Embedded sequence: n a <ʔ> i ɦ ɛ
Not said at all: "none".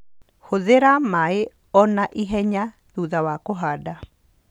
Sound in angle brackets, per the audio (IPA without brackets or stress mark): ʔ